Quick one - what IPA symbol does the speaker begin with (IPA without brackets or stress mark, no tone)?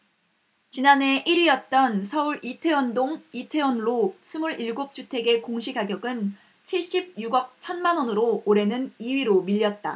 t͡ɕ